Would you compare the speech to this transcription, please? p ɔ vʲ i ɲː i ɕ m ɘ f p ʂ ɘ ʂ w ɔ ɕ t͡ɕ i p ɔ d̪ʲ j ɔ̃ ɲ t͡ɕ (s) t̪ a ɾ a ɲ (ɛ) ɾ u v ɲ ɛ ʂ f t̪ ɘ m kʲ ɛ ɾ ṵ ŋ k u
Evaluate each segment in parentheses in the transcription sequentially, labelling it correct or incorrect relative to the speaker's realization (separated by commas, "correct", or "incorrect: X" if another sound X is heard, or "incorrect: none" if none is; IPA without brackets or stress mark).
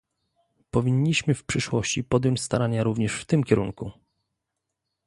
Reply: correct, incorrect: a